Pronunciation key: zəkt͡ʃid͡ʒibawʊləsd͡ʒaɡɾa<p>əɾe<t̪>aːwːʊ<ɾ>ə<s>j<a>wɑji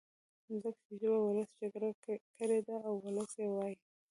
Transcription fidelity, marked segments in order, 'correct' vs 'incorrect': incorrect: k, incorrect: d̪, incorrect: l, correct, incorrect: e

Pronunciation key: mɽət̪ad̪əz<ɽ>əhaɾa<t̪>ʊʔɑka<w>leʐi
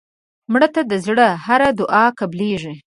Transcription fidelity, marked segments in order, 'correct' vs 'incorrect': correct, incorrect: d̪, incorrect: b

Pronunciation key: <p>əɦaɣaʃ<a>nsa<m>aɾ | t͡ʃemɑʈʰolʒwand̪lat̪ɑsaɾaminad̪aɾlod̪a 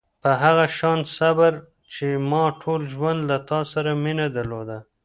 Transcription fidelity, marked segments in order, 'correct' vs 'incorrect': correct, incorrect: ɑ, incorrect: b

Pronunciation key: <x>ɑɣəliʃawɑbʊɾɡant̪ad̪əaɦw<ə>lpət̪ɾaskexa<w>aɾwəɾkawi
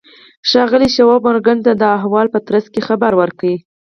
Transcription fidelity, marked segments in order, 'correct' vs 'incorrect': incorrect: ʃ, incorrect: ɑ, incorrect: b

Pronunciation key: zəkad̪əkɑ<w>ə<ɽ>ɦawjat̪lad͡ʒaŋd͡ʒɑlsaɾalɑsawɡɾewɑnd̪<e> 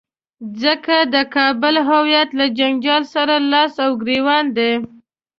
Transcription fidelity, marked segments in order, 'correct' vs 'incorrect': incorrect: b, incorrect: l, correct

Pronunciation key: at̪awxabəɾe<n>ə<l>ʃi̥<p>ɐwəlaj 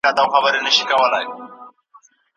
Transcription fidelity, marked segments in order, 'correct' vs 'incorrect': correct, incorrect: none, incorrect: k

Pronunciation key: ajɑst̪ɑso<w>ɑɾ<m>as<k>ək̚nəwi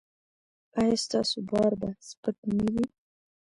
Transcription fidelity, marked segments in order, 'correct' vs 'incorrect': incorrect: b, incorrect: b, incorrect: p

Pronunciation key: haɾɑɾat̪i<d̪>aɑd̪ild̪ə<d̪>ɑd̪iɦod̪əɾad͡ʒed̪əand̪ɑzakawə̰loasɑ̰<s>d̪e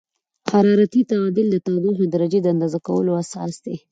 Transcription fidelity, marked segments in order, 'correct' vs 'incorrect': incorrect: t̪, incorrect: t̪, correct

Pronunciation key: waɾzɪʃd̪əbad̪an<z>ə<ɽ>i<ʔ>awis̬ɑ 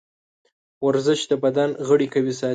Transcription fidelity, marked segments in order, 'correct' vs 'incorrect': incorrect: ɣ, correct, incorrect: k

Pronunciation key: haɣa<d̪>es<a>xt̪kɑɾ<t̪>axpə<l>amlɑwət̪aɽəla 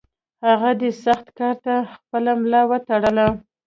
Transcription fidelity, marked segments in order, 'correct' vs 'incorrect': correct, correct, correct, correct

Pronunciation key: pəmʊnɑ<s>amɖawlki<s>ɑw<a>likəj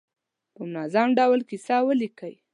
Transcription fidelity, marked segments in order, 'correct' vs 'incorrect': incorrect: z, correct, incorrect: ə

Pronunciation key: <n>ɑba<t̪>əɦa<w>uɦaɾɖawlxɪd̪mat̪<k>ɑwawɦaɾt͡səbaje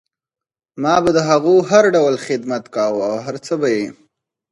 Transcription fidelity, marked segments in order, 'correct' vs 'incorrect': incorrect: m, incorrect: d̪, incorrect: ɣ, correct

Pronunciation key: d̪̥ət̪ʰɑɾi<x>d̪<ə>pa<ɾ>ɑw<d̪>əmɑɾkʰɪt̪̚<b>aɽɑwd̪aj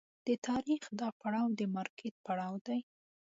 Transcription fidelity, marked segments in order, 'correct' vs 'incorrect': correct, incorrect: ɑ, incorrect: ɽ, correct, incorrect: p

